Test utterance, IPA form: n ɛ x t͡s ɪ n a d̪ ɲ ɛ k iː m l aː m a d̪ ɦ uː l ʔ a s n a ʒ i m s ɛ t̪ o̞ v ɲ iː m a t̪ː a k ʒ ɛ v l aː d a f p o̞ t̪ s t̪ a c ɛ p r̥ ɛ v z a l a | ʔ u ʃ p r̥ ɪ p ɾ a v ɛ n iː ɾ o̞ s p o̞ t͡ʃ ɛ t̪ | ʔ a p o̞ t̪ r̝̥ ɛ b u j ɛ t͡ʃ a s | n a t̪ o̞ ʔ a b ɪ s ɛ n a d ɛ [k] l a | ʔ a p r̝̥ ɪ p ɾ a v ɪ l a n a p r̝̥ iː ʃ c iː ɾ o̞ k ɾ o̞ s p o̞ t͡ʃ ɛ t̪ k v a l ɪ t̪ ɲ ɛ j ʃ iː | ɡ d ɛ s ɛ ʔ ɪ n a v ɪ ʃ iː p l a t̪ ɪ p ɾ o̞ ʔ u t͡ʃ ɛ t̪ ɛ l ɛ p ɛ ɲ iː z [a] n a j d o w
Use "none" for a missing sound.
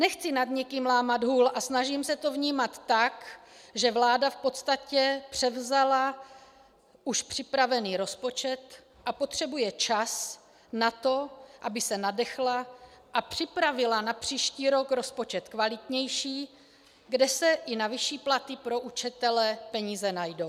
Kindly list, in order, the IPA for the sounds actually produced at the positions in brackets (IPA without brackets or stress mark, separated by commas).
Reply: x, ɛ